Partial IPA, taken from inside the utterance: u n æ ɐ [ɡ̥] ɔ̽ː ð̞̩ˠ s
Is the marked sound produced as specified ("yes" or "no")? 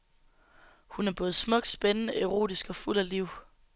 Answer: no